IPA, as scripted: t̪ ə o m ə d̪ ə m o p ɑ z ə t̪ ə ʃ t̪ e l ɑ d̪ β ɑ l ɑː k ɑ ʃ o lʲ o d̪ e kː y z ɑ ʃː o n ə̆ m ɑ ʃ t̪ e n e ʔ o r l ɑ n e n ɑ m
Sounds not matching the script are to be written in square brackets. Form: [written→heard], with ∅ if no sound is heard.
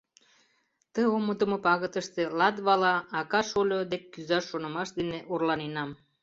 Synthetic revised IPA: t̪ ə o m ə d̪ ə m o p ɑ [z→ɣ] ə t̪ ə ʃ t̪ e l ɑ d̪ β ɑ l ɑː k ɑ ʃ o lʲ o d̪ e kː y z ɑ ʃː o n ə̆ m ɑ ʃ [t̪→d̪] e n e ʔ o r l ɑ n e n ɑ m